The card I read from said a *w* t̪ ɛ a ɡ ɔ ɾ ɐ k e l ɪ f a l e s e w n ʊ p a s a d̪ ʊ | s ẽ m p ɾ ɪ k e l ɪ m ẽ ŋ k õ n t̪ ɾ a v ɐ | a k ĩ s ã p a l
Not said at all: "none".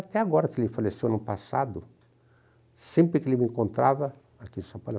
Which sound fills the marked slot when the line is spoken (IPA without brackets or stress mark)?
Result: none